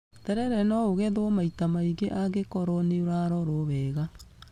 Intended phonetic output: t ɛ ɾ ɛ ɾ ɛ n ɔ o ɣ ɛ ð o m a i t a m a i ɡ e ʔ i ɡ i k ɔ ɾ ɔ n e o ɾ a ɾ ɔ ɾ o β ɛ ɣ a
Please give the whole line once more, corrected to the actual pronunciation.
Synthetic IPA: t ɛ ɾ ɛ ɾ ɛ n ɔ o ɣ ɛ ð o m a i t a m a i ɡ e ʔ a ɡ e k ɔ ɾ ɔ n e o ɾ a ɾ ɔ ɾ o β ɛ ɣ a